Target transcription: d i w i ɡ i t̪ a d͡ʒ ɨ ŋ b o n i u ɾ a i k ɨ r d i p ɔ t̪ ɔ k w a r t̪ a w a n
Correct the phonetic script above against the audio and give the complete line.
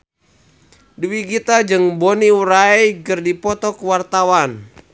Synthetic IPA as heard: d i w i ɡ i t̪ a d͡ʒ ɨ ŋ b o n i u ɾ a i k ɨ r d i p ɔ t̪ ɔ k w a r t̪ a w a n